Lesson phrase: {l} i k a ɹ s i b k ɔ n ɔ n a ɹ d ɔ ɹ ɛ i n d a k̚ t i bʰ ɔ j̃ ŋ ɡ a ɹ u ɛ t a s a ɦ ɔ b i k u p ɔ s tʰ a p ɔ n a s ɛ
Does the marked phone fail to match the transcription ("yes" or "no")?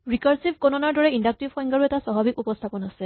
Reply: yes